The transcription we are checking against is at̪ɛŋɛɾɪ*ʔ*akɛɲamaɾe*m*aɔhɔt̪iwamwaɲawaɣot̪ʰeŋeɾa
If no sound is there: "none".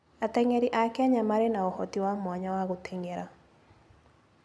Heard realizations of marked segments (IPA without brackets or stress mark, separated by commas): ʔ, n